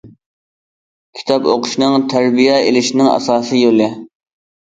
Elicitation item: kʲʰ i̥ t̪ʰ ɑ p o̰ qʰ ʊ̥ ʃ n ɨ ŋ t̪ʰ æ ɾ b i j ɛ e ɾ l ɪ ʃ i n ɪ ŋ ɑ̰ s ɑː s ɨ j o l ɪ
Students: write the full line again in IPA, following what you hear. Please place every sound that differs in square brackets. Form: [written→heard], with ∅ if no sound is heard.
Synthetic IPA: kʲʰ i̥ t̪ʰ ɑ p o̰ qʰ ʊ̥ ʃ n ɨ ŋ t̪ʰ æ ɾ b i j ɛ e [ɾ→∅] l ɪ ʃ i n ɪ ŋ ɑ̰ s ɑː s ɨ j o l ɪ